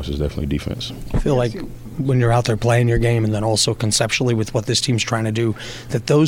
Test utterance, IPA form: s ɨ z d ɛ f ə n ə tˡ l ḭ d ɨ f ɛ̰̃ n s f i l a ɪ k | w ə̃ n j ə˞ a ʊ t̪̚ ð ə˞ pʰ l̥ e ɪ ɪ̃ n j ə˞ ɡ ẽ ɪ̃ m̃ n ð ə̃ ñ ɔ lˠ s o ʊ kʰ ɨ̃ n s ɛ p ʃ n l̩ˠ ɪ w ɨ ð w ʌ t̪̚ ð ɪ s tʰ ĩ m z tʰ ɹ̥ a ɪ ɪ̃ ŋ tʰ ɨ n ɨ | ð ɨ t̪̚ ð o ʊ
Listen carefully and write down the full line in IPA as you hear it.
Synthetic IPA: s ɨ z d ɛ f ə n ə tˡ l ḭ d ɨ f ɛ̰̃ n s f i l a ɪ k | w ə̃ n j ə˞ a ʊ t̪̚ ð ə˞ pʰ l̥ e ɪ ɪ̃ ŋ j ə˞ ɡ ẽ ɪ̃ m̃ n ð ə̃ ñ ɔ lˠ s o ʊ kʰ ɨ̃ n s ɛ p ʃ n l̩ˠ i w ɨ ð w ʌ t̪̚ ð ɪ s tʰ ĩ m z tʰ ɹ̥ a ɪ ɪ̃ ŋ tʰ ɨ d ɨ | ð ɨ t̪̚ ð o ʊ